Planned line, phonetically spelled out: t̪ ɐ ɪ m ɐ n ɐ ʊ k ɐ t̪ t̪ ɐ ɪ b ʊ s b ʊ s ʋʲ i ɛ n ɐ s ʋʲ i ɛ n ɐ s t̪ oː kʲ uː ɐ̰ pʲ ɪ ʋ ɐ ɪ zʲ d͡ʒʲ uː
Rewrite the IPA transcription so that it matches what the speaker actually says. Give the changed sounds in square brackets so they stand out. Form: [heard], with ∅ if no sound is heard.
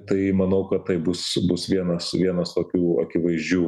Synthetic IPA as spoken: t̪ ɐ ɪ m ɐ n ɐ ʊ k ɐ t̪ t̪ ɐ ɪ b ʊ s b ʊ s ʋʲ i ɛ n ɐ s ʋʲ i ɛ n ɐ s t̪ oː kʲ uː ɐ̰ [kʲ] ɪ ʋ ɐ ɪ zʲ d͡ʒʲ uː